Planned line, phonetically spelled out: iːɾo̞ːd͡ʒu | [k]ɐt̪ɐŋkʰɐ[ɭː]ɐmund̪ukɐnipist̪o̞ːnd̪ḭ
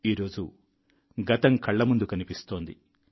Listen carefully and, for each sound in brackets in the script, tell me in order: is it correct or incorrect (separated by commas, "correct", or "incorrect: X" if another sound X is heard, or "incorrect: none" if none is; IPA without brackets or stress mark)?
incorrect: ɡ, correct